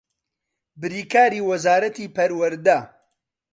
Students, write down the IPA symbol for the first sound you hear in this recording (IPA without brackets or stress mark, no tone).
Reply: b